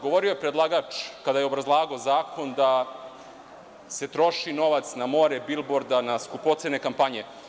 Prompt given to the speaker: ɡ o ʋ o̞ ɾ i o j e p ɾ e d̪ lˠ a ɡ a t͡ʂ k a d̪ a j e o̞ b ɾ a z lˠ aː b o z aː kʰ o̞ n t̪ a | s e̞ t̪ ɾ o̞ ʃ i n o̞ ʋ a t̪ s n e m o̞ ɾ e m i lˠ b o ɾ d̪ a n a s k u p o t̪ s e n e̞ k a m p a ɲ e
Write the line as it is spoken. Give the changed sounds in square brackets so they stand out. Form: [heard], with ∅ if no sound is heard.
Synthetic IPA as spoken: ɡ o ʋ o̞ ɾ i o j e p ɾ e d̪ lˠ a ɡ a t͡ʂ k a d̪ a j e o̞ b ɾ a z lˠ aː [ɡ] o z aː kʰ o̞ n [d̪] a | s e̞ t̪ ɾ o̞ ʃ i n o̞ ʋ a t̪ s n [a] m o̞ ɾ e [b] i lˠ b o ɾ d̪ a n a s k u p o t̪ s e n e̞ k a m p a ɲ e